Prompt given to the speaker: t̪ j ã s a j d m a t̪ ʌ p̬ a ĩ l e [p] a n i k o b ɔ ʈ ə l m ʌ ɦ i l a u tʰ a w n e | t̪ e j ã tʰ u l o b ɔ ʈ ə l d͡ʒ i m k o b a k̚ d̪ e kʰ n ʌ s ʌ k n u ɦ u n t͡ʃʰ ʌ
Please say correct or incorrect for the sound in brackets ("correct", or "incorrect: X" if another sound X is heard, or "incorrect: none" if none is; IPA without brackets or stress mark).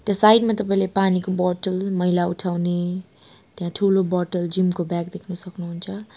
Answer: correct